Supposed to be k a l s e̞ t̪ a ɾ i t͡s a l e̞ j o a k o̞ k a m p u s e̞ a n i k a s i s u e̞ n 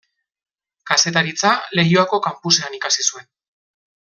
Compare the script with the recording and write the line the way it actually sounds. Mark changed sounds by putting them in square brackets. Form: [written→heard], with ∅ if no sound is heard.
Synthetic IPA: k a [l→∅] s e̞ t̪ a ɾ i t͡s a l e̞ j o a k o̞ k a m p u s e̞ a n i k a s i s u e̞ n